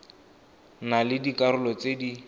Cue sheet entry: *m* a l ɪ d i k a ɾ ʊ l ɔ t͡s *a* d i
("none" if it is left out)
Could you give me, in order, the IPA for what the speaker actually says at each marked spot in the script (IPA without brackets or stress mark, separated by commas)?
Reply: n, e